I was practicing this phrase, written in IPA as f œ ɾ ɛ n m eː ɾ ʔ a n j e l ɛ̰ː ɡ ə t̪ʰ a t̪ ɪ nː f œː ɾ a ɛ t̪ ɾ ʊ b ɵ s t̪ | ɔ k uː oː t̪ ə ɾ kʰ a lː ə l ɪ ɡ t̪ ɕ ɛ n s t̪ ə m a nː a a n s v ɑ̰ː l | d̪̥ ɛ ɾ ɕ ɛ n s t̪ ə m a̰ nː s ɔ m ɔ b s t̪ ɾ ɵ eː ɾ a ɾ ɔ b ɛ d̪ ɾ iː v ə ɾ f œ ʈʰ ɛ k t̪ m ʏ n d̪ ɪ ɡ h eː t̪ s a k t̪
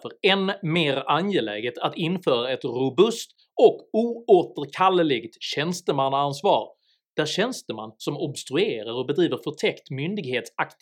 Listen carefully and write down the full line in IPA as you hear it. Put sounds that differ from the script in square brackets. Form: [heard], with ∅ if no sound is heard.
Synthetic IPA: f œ ɾ ɛ n m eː ɾ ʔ a n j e l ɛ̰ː ɡ ə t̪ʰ a t̪ ɪ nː f œː ɾ a ɛ t̪ ɾ ʊ b ɵ s t̪ | ɔ k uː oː t̪ ə ɾ kʰ a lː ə l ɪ ɡ t̪ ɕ ɛ n s t̪ ə m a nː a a n s v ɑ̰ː [ɾ] | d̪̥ [æ] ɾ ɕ ɛ n s t̪ ə m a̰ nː s ɔ m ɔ b s t̪ ɾ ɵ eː ɾ a ɾ ɔ b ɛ d̪ ɾ iː v ə ɾ f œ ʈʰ ɛ k t̪ m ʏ n d̪ ɪ ɡ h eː t̪ s a k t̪